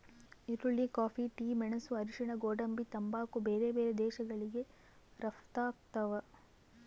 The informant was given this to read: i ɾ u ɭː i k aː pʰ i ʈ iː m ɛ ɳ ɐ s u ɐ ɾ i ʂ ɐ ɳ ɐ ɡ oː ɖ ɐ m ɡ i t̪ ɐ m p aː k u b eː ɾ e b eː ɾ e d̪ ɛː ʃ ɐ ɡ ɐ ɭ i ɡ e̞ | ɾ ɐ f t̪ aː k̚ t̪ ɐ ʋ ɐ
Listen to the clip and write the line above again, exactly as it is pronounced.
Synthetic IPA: i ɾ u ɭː i k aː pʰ i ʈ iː m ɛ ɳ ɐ s u ɐ ɾ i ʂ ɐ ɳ ɐ ɡ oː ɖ ɐ m b i t̪ ɐ m b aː k u b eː ɾ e b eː ɾ e d̪ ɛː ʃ ɐ ɡ ɐ ɭ i ɡ e̞ | ɾ ɐ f t̪ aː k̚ t̪ ɐ ʋ ɐ